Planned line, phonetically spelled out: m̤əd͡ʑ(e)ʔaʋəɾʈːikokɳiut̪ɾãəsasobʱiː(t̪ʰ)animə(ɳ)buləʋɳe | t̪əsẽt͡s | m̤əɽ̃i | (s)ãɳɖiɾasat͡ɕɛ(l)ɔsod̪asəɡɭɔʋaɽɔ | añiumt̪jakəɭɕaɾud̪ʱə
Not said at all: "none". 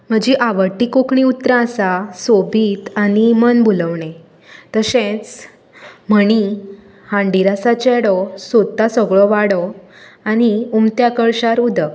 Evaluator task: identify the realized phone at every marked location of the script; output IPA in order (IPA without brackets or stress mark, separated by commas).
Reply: i, t̪, n, h, ɽ